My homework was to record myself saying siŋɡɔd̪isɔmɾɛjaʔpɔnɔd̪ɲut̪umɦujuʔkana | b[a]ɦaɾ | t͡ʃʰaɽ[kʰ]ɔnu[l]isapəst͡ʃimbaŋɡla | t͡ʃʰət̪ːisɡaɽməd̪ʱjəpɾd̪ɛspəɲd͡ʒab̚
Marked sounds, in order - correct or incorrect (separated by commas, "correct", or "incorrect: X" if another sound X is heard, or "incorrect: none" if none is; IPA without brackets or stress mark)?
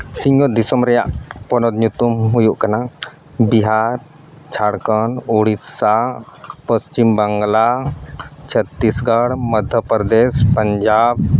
incorrect: i, incorrect: k, incorrect: ɽ